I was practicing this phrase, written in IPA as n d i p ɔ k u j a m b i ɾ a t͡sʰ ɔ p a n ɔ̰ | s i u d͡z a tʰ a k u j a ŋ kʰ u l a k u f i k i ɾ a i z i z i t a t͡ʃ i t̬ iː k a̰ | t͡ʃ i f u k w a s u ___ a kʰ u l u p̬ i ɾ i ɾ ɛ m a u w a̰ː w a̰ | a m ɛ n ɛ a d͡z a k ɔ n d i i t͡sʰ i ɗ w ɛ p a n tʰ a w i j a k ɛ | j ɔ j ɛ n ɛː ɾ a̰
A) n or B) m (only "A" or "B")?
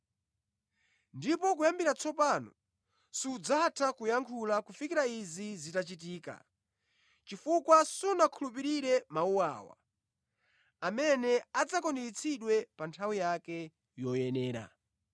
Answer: A